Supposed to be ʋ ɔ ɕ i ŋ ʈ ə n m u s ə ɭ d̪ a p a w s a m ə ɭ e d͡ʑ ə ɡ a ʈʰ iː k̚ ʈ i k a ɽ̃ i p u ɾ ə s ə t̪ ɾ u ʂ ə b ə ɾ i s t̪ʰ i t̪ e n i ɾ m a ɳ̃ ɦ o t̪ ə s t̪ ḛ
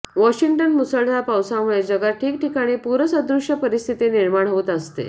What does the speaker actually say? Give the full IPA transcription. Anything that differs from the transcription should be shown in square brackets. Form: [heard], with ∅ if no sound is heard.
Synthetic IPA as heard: ʋ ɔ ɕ i ŋ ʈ ə n m u s ə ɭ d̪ a p a w s a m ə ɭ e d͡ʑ ə ɡ a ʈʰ iː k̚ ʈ i k a ɽ̃ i p u ɾ ə s ə [d̪] ɾ u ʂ ə [p] ə ɾ i s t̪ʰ i t̪ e n i ɾ m a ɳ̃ ɦ o t̪ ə s t̪ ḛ